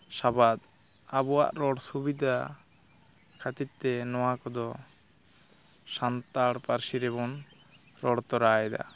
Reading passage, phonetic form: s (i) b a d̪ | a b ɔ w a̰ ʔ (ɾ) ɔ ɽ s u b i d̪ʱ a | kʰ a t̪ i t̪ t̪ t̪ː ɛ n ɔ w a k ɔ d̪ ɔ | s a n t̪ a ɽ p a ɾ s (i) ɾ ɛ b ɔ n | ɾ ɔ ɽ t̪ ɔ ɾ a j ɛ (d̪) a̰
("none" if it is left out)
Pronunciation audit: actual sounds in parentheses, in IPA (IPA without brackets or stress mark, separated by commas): a, ɾ, i, d̪